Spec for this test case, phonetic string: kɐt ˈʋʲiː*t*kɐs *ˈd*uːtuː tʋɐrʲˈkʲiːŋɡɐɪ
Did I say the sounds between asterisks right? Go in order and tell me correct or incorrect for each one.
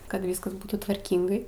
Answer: incorrect: s, incorrect: b

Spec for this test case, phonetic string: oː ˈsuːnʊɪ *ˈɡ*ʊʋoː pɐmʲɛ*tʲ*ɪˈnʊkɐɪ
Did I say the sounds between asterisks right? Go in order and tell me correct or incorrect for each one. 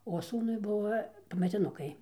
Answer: incorrect: b, correct

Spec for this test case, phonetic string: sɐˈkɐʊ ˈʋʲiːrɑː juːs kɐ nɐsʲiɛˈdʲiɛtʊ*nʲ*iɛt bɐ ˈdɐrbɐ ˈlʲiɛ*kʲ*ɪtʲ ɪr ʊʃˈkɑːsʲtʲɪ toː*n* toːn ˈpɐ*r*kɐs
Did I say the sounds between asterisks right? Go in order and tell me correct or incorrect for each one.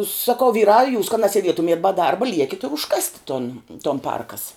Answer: incorrect: mʲ, correct, correct, correct

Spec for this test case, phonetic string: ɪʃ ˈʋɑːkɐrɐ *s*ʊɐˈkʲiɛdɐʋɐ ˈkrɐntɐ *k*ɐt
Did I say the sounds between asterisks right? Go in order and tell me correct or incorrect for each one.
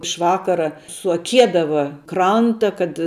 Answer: correct, correct

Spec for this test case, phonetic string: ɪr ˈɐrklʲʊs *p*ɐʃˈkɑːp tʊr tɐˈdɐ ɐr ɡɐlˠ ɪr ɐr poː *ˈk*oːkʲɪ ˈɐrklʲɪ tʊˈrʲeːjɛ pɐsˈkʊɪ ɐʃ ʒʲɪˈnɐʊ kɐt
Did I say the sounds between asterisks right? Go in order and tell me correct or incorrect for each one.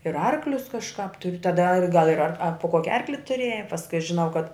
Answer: incorrect: k, correct

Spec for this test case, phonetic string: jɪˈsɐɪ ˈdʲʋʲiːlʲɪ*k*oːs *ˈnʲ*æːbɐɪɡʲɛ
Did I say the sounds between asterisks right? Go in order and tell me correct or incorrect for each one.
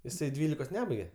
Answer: correct, correct

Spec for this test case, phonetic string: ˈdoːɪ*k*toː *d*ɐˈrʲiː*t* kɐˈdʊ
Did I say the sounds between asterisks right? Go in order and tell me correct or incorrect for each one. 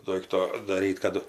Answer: correct, correct, correct

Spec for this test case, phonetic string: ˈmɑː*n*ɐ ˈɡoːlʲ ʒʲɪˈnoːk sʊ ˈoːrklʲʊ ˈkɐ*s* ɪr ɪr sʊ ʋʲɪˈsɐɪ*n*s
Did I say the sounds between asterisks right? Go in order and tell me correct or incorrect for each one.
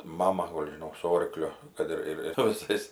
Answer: incorrect: m, incorrect: t, incorrect: none

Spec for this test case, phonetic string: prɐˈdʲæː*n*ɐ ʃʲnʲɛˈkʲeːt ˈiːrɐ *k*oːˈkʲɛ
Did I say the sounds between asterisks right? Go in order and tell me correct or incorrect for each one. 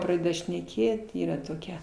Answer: incorrect: d, incorrect: t

